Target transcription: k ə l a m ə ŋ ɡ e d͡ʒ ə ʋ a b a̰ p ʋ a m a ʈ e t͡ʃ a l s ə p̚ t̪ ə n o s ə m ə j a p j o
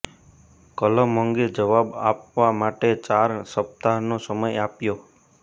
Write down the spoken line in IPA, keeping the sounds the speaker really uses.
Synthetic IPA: k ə l ə m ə ŋ ɡ e d͡ʒ ə ʋ a b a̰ p ʋ a m a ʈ e t͡ʃ a ɾ s ə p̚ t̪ a n o s ə m ə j a p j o